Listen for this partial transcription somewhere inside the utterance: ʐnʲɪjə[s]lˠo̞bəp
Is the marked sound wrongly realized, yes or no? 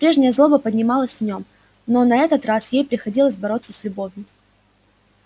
yes